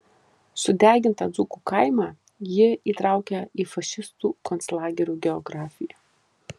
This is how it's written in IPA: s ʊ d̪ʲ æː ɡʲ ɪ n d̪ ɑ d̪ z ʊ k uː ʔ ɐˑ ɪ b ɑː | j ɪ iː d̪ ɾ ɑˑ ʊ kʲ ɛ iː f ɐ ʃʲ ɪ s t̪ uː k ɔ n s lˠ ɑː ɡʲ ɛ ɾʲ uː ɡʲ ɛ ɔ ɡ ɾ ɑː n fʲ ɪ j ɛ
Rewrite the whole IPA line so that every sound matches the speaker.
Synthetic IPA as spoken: s ʊ d̪ʲ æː ɡʲ ɪ n t̪ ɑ d̪ z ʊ k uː k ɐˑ ɪ m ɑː | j ɪ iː t̪ ɾ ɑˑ ʊ kʲ ɛ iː f ɐ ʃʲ ɪ s t̪ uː k ɔ n s lˠ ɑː ɡʲ ɛ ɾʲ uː ɡʲ ɛ ɔ ɡ ɾ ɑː fʲ ɪ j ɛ